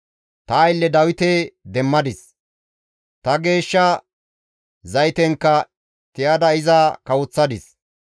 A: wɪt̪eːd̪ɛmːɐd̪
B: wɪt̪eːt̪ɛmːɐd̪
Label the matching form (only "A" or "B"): A